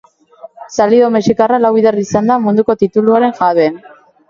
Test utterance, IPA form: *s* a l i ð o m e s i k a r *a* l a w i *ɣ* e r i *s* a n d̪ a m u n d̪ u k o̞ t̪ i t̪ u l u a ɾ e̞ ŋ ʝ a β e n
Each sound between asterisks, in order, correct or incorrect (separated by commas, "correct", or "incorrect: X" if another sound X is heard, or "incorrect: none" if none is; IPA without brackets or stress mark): correct, correct, incorrect: ð, correct